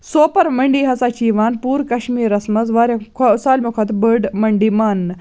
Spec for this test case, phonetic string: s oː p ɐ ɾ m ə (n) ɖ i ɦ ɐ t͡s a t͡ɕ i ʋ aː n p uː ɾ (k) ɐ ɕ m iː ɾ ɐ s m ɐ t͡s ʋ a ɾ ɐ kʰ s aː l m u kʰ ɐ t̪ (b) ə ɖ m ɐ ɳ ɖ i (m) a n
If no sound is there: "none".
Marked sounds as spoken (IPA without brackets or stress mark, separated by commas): ɳ, k, b, m